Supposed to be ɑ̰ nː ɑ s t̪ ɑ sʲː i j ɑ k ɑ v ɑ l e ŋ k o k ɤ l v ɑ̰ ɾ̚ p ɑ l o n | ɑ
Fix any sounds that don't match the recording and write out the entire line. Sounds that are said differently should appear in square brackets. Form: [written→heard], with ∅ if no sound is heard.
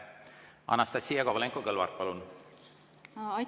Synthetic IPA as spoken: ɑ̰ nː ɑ s t̪ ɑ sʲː i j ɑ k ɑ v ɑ l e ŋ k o k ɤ l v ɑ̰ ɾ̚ p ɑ l [o→u] n | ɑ